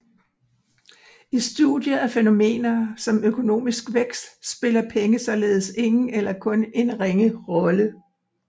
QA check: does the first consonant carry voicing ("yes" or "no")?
no